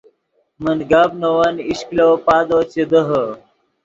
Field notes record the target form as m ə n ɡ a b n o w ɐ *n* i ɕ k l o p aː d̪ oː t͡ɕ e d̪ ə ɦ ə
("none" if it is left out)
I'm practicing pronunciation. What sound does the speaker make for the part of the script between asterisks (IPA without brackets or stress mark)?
n